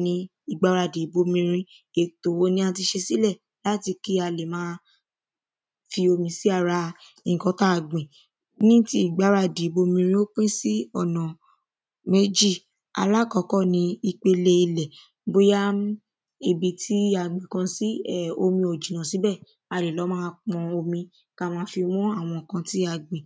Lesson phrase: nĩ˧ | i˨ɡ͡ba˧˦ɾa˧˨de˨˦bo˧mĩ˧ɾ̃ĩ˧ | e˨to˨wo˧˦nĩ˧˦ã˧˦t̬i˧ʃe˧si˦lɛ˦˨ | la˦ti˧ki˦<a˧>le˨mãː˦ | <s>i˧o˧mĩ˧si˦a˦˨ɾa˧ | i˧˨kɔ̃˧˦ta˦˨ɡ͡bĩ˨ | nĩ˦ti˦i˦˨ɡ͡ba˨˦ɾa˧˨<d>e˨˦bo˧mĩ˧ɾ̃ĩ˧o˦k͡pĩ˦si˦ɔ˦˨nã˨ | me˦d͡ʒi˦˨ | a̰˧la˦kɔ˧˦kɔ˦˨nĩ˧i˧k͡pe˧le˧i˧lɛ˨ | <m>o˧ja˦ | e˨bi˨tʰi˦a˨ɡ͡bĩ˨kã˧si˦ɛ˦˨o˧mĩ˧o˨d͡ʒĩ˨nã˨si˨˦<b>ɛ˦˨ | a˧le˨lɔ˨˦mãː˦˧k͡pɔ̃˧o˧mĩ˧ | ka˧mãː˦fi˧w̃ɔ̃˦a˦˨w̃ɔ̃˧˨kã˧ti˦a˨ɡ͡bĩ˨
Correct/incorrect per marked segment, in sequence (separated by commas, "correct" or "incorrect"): correct, incorrect, correct, incorrect, correct